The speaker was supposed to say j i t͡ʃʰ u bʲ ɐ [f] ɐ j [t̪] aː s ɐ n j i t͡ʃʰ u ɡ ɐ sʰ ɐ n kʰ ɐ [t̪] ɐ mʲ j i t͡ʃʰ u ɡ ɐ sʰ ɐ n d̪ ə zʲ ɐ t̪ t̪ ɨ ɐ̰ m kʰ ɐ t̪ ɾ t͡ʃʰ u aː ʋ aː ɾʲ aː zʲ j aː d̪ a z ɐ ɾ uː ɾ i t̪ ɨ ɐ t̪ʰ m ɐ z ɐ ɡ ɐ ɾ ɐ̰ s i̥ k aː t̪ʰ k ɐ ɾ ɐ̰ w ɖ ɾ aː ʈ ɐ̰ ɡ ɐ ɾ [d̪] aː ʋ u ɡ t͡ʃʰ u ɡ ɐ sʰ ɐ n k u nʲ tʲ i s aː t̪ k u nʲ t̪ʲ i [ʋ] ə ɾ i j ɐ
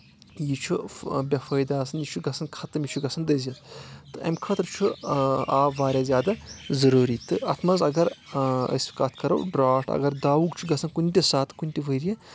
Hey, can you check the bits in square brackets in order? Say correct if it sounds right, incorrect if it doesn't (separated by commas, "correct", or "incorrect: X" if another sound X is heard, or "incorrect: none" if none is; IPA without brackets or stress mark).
correct, incorrect: d̪, correct, correct, correct